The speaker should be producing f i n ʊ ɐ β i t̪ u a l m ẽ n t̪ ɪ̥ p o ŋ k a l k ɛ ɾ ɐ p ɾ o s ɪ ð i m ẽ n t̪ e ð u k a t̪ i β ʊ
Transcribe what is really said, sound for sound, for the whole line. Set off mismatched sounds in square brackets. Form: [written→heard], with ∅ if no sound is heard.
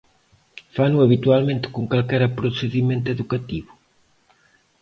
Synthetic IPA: f [i→a] n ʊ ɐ β i t̪ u a l m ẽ n t̪ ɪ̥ [p→k] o ŋ k a l k ɛ ɾ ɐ p ɾ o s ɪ ð i m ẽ n t̪ e ð u k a t̪ i β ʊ